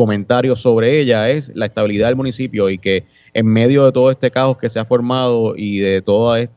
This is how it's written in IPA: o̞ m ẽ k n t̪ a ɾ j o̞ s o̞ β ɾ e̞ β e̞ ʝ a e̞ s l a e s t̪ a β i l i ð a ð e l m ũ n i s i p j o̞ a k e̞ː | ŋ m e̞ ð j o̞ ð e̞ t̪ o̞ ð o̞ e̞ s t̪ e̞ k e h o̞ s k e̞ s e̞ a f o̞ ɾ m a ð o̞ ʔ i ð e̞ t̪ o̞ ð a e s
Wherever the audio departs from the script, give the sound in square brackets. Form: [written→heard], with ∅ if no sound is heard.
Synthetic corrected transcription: o̞ m ẽ [k→∅] n t̪ a ɾ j o̞ s o̞ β ɾ e̞ [β→∅] e̞ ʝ a e̞ s l a e s t̪ a β i l i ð a ð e l m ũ n i s i p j o̞ [a→i] k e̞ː | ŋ m e̞ ð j o̞ ð e̞ t̪ o̞ ð o̞ e̞ s t̪ e̞ k [e→a] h o̞ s k e̞ s e̞ a f o̞ ɾ m a ð o̞ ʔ i ð e̞ t̪ o̞ ð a e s